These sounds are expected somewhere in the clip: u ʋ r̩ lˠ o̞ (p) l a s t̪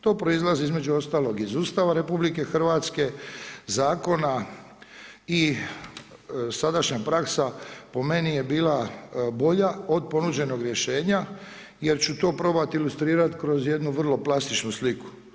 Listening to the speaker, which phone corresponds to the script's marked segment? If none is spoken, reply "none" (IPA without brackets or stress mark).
p